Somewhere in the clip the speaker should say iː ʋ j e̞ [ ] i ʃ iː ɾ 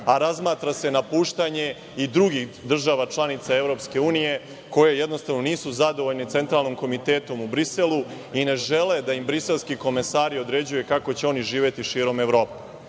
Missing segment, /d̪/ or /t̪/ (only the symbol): t̪